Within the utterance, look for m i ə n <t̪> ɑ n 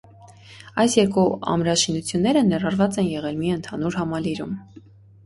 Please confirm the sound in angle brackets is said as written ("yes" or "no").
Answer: no